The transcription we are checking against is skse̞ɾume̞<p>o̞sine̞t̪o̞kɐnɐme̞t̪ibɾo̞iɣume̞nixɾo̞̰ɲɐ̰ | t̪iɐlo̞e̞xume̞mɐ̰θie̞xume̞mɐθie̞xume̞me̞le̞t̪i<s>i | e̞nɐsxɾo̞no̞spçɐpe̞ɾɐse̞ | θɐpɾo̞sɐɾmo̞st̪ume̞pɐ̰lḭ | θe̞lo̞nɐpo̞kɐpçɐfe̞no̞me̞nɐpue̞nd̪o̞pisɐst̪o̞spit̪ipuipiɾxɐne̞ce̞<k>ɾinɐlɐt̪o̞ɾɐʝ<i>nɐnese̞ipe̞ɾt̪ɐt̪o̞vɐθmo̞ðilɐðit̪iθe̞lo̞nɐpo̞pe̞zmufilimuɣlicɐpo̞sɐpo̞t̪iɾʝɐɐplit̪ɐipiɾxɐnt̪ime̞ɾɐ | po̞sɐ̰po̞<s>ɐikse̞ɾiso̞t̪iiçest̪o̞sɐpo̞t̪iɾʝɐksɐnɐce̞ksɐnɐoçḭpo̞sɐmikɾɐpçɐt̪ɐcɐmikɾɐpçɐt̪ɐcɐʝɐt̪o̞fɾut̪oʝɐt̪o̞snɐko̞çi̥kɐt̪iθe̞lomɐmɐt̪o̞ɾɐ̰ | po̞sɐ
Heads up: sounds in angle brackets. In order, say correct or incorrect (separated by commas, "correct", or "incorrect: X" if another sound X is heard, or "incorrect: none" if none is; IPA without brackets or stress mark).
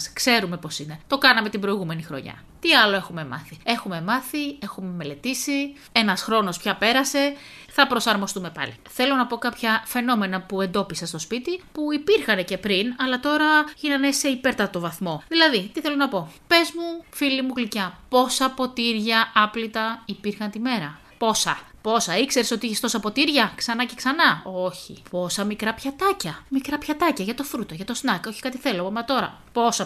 correct, correct, incorrect: p, correct, correct